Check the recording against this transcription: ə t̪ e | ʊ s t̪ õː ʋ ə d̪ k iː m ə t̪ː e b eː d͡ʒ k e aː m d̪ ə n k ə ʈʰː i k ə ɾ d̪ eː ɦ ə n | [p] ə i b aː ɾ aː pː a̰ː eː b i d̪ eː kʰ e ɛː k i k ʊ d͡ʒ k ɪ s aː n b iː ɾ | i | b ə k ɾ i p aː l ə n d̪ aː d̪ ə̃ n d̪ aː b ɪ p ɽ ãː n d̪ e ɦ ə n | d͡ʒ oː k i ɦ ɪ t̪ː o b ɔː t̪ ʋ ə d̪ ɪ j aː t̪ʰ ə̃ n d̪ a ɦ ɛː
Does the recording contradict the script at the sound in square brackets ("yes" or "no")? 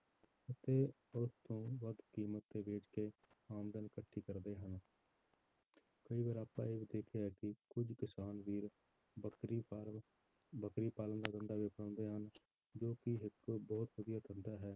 yes